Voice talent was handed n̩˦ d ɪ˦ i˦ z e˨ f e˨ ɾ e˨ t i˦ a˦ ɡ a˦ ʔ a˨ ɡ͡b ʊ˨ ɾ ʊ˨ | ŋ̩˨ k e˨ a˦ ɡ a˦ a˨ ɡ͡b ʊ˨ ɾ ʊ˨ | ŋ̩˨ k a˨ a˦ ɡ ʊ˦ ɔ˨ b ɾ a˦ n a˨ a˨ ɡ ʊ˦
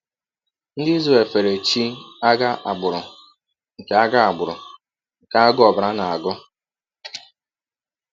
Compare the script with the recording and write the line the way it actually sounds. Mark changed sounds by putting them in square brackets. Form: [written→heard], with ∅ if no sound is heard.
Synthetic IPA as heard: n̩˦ d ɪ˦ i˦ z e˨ f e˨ ɾ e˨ [t→t͡ʃ] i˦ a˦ ɡ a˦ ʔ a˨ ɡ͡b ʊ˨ ɾ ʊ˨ | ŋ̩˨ k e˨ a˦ ɡ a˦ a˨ ɡ͡b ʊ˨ ɾ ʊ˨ | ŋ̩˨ k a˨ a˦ ɡ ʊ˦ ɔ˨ b ɾ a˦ n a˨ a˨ ɡ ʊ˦